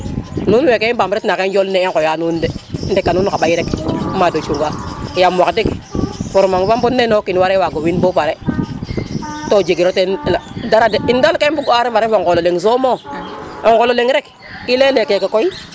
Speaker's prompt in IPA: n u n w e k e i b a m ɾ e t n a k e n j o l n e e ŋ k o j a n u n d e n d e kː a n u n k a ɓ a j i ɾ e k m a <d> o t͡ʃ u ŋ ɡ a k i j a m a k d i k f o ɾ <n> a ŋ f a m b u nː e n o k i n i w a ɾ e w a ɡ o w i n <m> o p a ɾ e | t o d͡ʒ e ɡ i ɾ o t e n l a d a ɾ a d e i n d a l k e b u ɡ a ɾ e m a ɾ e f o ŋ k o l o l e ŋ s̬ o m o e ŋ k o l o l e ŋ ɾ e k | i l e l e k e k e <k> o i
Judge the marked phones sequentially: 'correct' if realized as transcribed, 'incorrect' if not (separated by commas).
correct, incorrect, incorrect, correct